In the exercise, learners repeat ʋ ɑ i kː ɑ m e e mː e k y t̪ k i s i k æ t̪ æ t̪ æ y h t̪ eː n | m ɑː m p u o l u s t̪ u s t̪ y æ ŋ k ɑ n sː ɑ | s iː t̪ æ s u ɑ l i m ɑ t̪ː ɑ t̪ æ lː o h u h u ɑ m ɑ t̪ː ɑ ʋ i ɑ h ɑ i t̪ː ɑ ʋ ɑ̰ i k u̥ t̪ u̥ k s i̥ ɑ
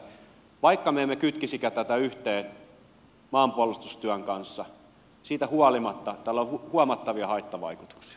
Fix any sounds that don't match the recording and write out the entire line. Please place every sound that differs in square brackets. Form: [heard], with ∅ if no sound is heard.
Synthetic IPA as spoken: ʋ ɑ i kː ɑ m e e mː e k y t̪ k i s i k æ t̪ æ t̪ æ y h t̪ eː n | m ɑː m p u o l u s t̪ u s t̪ y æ ŋ k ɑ n sː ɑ | s iː t̪ æ [h] u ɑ l i m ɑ t̪ː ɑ t̪ æ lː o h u h u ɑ m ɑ t̪ː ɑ ʋ i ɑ h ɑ i t̪ː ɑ ʋ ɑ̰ i k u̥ t̪ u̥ k s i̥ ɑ